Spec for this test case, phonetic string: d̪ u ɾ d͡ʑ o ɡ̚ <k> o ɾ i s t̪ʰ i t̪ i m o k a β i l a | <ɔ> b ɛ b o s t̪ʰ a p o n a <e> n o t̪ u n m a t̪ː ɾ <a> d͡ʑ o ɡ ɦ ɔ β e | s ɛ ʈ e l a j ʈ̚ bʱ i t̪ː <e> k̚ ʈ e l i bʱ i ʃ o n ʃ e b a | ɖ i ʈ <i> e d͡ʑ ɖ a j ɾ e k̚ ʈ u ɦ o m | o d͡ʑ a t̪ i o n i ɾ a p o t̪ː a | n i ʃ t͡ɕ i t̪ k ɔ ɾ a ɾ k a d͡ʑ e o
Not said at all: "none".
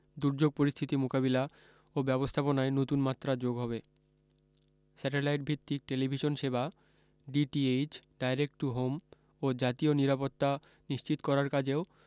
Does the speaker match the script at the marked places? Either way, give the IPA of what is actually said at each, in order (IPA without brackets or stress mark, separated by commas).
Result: p, o, e, a, i, i